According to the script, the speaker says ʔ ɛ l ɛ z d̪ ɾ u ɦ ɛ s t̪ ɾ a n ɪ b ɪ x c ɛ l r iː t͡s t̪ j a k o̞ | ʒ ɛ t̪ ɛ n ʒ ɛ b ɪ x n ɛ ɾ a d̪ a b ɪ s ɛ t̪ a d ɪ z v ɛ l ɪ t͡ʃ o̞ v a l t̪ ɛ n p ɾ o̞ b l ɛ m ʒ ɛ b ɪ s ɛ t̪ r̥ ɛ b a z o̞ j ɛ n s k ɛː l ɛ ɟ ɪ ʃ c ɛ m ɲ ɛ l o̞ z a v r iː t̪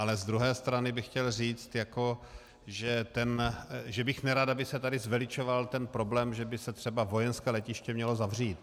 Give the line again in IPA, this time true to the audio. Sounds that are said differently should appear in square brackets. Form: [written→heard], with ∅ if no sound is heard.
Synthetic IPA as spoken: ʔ [ɛ→a] l ɛ z d̪ ɾ u ɦ [ɛ→ɛː] s t̪ ɾ a n ɪ b ɪ x c ɛ l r iː t͡s t̪ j a k o̞ | ʒ ɛ t̪ ɛ n ʒ ɛ b ɪ x n ɛ ɾ a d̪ a b ɪ s ɛ t̪ a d ɪ z v ɛ l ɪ t͡ʃ o̞ v a l t̪ ɛ n p ɾ o̞ b l [ɛ→ɛː] m ʒ ɛ b ɪ s ɛ t̪ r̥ ɛ b a [z→v] o̞ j ɛ n s k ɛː l ɛ [ɟ→c] ɪ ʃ c ɛ m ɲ ɛ l o̞ z a v r iː t̪

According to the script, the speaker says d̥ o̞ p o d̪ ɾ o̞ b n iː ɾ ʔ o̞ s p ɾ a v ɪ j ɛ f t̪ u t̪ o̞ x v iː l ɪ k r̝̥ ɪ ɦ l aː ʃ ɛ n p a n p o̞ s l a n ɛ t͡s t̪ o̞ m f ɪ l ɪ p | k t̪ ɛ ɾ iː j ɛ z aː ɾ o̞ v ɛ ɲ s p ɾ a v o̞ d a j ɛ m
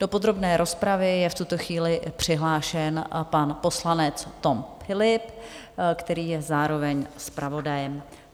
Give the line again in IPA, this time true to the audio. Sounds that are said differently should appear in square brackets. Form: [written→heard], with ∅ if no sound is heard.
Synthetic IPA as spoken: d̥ o̞ p o d̪ ɾ o̞ b n [iː→ɛː] ɾ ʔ o̞ s p ɾ a v ɪ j ɛ f t̪ u t̪ o̞ x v iː l ɪ [k→p] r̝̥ ɪ ɦ l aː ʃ ɛ n p a n p o̞ s l a n ɛ t͡s t̪ o̞ m f ɪ l ɪ p | k t̪ ɛ ɾ iː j ɛ z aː ɾ o̞ v ɛ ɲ s p ɾ a v o̞ d a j ɛ m

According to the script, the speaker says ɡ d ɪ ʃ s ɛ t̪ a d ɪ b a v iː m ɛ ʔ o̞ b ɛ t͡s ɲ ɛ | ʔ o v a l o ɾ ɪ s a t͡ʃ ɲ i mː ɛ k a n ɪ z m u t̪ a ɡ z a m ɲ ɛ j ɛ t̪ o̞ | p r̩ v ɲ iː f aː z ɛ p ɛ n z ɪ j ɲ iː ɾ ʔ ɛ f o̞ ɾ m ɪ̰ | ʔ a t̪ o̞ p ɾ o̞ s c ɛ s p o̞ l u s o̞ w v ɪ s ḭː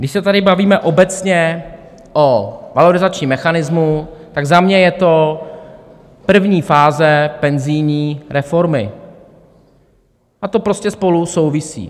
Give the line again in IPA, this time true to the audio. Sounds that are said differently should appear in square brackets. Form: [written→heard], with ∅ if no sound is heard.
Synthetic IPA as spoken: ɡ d ɪ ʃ s ɛ t̪ a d ɪ b a v iː m ɛ ʔ o̞ b ɛ t͡s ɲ ɛ | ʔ o v a l o ɾ ɪ [s→z] a t͡ʃ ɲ i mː ɛ [k→x] a n ɪ z m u t̪ a ɡ z a m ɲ ɛ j ɛ t̪ o̞ | p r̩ v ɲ iː f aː z ɛ p ɛ n z ɪ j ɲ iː ɾ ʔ ɛ f o̞ ɾ m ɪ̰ | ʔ a t̪ o̞ p ɾ o̞ s c ɛ s p o̞ l u s o̞ w v ɪ s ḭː

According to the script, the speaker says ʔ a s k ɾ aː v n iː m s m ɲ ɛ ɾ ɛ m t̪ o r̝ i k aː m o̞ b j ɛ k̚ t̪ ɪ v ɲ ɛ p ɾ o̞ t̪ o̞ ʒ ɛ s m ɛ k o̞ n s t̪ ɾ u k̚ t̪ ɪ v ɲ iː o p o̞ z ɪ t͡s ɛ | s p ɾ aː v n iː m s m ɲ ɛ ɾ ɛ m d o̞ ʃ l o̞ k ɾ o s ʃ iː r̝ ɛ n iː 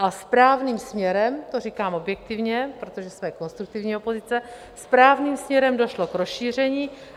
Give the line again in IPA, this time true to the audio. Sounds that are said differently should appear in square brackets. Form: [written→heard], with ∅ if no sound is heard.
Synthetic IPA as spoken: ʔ a s [k→p] ɾ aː v n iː m s m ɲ ɛ ɾ ɛ m t̪ o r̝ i k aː m o̞ b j ɛ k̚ t̪ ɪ v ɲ ɛ p ɾ o̞ t̪ o̞ ʒ ɛ s m ɛ k o̞ n s t̪ ɾ u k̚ t̪ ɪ v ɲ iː o p o̞ z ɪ t͡s ɛ | s p ɾ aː v n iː m s m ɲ ɛ ɾ ɛ m d o̞ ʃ l o̞ k ɾ o s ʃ iː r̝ ɛ [n→ɲ] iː

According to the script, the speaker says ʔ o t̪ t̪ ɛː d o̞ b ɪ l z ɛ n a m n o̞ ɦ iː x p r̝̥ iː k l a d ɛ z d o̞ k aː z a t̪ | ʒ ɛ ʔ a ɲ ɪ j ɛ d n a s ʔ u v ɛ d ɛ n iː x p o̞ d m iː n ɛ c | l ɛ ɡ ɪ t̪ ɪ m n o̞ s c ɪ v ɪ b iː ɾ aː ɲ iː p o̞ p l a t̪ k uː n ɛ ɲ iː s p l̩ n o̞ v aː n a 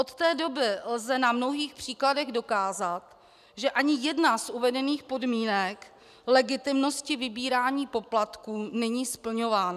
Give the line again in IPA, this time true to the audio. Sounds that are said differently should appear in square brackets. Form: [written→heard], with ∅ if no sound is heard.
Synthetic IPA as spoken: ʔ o t̪ t̪ ɛː d o̞ b ɪ l z ɛ n a m n o̞ ɦ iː x p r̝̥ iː k l a d ɛ [z→ɣ] d o̞ k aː z a t̪ | ʒ ɛ ʔ a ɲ ɪ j ɛ d n a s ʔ u v ɛ d ɛ n iː x p o̞ d m iː n ɛ [c→k] | l ɛ ɡ ɪ t̪ ɪ m n o̞ s c ɪ v ɪ b iː ɾ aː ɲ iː p o̞ p l a t̪ k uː n ɛ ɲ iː s p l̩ [n→ɲ] o̞ v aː n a

